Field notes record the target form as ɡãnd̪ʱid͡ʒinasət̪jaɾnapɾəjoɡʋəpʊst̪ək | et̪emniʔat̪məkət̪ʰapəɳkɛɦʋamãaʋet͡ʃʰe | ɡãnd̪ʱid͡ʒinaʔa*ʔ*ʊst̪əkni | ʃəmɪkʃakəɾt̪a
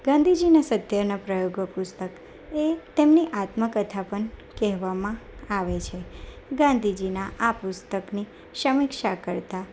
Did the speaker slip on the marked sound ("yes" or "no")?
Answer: yes